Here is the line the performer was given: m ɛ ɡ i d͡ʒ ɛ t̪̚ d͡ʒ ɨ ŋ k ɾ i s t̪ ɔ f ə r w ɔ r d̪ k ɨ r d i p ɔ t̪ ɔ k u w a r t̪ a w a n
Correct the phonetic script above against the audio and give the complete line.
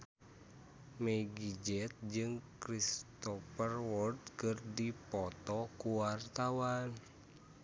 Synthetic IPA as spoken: m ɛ ɡ i d͡ʒ ɛ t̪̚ d͡ʒ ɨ ŋ k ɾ i s t̪ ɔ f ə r w ɔ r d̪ k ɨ r d i p ɔ t̪ ɔ k u w a r t̪ a w a n